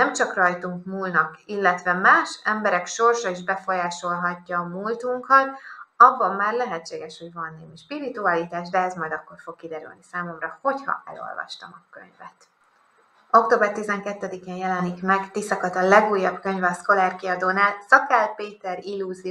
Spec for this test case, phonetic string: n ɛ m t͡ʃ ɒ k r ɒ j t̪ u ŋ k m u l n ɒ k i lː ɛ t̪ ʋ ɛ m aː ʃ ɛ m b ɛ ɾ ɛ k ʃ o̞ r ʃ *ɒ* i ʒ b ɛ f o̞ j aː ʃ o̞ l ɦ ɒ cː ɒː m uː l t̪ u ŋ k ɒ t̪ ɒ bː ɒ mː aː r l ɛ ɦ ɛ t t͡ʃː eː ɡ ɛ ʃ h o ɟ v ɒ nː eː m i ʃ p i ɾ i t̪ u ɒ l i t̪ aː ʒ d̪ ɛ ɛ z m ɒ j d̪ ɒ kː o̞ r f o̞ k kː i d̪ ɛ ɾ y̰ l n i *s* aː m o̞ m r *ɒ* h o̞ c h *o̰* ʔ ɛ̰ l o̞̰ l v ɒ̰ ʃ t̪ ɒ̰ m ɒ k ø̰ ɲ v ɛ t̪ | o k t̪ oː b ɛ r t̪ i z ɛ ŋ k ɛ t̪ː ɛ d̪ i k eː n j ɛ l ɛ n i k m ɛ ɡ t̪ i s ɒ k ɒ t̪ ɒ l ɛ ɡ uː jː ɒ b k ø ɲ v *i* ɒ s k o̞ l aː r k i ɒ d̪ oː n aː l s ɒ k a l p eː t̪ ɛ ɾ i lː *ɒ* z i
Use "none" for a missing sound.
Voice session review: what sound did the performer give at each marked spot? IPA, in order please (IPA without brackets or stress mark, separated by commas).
ɒ, s, ɒ, ɒ̰, ɛ, u